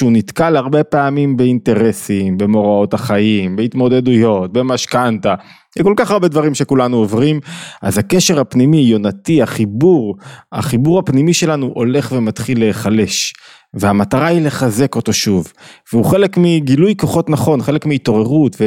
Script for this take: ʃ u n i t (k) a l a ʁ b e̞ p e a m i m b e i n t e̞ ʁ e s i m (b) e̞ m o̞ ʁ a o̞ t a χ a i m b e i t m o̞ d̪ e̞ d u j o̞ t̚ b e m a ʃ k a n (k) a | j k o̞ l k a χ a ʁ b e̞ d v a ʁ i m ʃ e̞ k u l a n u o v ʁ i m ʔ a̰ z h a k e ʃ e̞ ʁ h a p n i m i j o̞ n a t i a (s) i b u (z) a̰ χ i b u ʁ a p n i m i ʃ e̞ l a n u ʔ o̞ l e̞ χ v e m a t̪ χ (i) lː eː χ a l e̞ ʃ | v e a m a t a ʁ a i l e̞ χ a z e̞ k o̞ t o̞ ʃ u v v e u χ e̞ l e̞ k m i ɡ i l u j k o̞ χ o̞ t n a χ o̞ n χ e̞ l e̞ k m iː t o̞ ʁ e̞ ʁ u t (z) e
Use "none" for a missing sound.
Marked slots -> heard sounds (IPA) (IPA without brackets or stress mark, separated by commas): k, b, t, χ, ʁ, i, v